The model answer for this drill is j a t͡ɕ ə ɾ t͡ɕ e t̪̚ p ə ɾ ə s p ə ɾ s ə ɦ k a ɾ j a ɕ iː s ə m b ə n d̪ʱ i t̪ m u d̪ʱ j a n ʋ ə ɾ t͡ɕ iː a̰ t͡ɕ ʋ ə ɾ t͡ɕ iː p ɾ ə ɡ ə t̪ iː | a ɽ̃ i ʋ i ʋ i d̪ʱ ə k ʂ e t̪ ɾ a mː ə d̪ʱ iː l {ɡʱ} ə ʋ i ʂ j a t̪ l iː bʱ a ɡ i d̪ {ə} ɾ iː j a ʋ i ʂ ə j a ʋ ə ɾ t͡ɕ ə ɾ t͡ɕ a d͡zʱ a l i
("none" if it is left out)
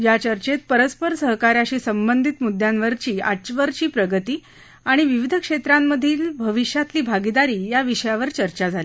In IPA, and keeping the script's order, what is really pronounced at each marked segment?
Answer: bʱ, a

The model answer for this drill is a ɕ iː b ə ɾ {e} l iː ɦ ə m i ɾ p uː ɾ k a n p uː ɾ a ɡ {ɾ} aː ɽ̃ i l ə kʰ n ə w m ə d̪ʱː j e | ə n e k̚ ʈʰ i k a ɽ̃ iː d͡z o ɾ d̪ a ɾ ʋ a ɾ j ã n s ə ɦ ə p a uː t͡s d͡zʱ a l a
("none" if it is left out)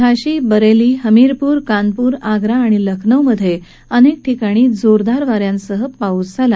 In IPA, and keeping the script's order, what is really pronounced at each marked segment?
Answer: e, ɾ

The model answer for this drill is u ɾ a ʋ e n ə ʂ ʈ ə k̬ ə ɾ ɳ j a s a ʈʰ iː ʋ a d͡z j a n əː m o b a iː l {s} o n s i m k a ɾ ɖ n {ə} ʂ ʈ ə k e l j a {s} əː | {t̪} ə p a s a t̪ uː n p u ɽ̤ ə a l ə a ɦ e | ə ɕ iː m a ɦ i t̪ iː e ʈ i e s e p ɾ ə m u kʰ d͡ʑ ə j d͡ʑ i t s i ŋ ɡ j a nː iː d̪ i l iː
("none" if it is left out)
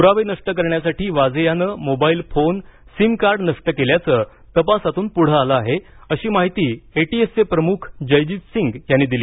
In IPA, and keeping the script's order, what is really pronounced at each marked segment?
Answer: f, ə, t͡s, t̪

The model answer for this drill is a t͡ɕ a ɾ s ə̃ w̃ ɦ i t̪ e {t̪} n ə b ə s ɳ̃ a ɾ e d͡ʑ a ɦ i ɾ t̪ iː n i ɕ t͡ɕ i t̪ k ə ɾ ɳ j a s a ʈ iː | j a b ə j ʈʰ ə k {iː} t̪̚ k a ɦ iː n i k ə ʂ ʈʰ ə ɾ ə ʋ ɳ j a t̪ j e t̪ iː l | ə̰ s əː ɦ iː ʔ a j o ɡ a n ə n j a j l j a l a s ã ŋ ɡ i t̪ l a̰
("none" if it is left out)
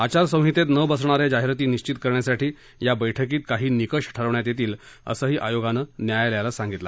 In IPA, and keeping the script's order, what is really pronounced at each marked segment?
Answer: t̪, iː

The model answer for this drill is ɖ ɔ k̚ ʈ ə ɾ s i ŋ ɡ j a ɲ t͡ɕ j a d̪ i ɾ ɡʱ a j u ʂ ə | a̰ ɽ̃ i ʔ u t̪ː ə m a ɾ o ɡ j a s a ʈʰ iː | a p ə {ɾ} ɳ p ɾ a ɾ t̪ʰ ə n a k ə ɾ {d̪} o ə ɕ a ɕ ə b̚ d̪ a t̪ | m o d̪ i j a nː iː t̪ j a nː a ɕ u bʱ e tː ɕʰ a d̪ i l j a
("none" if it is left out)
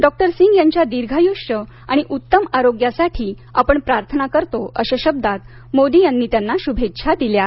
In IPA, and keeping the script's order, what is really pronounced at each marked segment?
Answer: none, t̪

